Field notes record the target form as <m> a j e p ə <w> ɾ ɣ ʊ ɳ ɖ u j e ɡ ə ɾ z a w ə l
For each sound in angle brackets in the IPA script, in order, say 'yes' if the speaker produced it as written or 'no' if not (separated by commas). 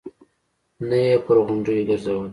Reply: no, no